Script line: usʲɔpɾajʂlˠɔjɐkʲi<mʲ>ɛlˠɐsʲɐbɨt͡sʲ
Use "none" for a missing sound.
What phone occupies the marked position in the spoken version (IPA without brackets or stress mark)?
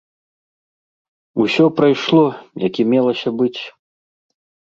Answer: mʲ